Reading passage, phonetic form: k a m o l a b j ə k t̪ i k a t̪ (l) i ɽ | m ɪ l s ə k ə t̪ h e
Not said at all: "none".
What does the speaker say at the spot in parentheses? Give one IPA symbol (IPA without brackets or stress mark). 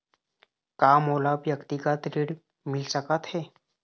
ɾ